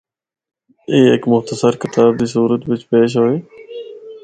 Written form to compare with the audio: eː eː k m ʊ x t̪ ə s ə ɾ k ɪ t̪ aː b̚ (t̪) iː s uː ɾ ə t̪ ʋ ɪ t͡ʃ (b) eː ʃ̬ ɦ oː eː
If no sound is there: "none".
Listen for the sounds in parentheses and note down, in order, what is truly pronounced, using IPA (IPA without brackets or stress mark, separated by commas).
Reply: d̪, p